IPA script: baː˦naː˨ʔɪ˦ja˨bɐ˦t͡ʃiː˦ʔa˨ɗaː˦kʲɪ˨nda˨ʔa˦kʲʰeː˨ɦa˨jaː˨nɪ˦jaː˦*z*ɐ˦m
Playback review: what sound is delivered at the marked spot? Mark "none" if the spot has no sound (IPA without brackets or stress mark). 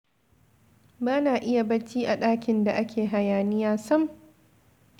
s